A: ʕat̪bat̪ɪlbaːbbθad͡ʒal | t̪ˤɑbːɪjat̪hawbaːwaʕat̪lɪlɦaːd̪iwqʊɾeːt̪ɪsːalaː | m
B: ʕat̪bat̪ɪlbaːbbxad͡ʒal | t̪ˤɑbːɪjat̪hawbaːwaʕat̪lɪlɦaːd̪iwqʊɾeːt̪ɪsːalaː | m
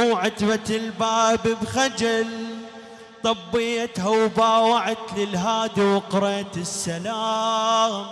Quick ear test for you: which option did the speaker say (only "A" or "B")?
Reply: B